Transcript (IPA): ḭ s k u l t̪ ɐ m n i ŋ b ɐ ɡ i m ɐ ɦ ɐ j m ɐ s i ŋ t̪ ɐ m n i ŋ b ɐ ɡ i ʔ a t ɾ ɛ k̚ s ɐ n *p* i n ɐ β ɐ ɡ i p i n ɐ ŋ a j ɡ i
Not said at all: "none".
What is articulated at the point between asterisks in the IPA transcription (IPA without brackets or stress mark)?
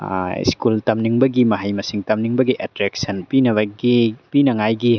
p